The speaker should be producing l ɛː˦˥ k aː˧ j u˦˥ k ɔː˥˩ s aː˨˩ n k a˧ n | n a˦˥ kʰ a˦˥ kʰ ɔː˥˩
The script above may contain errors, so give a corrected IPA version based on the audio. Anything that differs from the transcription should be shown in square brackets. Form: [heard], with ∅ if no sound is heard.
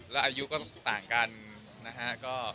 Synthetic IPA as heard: l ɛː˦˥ [ʔ] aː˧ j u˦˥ k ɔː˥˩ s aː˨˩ [ŋ] k a˧ n | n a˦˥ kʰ a˦˥ [k] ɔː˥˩